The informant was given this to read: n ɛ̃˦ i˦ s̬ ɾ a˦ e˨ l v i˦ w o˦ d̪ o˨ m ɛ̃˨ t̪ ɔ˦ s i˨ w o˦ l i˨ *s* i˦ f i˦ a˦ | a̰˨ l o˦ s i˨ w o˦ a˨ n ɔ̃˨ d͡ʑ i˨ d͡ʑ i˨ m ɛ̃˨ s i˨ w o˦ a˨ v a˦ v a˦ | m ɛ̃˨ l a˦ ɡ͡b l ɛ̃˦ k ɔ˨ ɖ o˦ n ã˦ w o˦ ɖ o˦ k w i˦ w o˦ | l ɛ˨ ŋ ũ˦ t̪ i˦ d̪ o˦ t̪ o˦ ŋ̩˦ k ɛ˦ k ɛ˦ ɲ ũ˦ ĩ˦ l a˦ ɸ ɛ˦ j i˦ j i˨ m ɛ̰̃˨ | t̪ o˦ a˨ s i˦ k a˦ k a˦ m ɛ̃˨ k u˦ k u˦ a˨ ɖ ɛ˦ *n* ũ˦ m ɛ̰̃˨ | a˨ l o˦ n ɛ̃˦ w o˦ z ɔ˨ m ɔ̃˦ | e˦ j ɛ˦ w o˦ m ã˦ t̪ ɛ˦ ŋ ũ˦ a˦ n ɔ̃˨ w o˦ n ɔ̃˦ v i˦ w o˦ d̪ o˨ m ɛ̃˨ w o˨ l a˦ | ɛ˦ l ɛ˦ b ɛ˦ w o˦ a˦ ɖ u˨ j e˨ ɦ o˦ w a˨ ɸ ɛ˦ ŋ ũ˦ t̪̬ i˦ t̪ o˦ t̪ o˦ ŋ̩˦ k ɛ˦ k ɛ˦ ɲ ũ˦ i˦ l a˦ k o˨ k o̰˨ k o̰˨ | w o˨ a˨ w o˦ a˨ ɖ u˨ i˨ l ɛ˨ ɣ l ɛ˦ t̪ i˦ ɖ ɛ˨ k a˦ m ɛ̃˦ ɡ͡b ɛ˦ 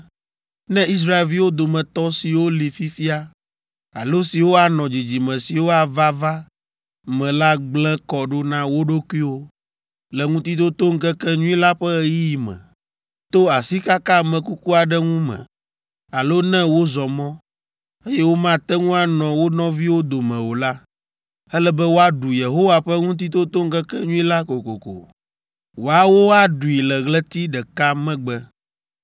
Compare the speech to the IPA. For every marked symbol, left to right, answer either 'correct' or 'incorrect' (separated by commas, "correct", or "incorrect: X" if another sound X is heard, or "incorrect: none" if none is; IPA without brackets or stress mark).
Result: incorrect: f, incorrect: ŋ